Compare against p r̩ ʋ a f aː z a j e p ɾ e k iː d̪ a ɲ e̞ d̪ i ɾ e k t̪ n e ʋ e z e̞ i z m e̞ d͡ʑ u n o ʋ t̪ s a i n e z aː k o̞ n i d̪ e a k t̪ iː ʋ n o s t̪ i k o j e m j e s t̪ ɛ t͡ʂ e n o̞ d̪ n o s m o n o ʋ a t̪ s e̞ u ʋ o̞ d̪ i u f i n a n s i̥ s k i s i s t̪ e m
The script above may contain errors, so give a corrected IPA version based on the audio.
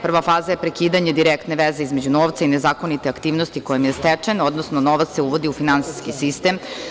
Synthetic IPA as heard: p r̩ ʋ a f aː z a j e p ɾ e k iː d̪ a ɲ e̞ d̪ i ɾ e k t̪ n e ʋ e z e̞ i z m e̞ d͡ʑ u n o ʋ t̪ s a i n e z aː k o̞ n i t̪ e a k t̪ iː ʋ n o s t̪ i k o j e m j e s t̪ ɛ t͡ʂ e n o̞ d̪ n o s n o n o ʋ a t̪ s e̞ u ʋ o̞ d̪ i u f i n a n s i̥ s k i s i s t̪ e m